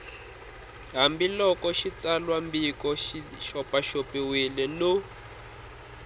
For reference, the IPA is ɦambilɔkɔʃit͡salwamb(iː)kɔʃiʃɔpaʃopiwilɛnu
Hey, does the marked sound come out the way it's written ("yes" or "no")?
no